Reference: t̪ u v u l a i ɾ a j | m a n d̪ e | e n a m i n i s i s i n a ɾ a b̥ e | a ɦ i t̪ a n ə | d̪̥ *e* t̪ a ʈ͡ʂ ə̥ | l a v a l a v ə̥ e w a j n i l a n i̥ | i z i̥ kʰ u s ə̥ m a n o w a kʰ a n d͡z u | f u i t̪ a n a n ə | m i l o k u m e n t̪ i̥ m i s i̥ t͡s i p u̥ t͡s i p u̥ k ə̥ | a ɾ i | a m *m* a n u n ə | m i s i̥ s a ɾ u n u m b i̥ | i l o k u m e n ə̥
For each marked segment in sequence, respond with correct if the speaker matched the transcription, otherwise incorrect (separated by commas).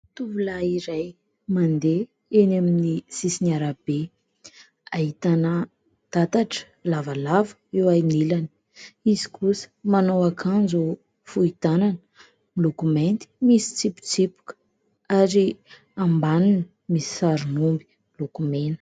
incorrect, incorrect